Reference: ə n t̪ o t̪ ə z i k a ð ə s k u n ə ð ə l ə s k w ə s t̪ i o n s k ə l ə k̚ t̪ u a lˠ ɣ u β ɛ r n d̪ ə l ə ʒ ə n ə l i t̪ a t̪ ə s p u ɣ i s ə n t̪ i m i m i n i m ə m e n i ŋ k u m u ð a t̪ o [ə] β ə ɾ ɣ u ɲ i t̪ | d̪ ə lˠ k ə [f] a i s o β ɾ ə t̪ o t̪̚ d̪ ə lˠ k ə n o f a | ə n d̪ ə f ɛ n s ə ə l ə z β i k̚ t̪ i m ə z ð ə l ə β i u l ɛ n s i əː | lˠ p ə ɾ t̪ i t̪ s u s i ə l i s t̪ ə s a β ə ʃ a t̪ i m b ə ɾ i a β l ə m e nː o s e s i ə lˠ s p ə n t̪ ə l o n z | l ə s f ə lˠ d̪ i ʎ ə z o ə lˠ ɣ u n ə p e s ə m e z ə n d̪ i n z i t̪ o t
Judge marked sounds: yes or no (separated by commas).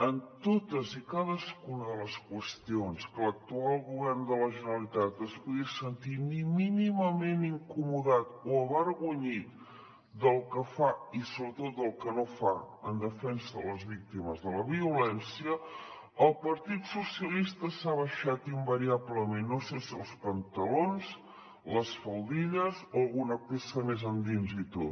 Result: yes, yes